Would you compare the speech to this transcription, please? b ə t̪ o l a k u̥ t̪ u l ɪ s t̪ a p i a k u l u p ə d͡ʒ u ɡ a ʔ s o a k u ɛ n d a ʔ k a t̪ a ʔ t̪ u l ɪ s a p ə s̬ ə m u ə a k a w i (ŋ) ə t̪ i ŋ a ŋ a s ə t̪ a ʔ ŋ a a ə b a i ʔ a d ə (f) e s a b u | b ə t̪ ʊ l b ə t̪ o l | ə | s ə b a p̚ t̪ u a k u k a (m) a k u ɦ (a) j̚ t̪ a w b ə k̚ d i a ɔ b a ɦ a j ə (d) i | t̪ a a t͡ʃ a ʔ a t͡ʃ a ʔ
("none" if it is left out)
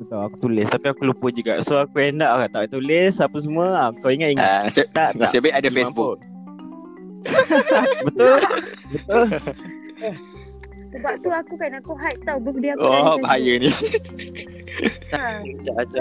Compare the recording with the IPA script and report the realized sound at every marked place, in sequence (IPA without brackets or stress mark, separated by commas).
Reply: ŋ, f, n, a, n